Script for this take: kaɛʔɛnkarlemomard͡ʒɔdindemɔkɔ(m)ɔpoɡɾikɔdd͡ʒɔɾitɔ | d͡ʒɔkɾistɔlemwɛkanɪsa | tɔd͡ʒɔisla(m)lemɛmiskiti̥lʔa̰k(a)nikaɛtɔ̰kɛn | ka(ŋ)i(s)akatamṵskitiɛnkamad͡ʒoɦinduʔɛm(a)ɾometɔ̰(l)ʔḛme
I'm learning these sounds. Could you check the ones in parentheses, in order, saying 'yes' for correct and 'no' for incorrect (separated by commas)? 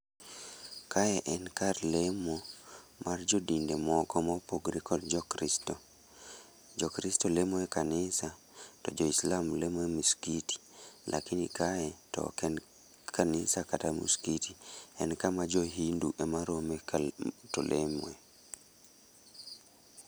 yes, yes, no, no, yes, yes, yes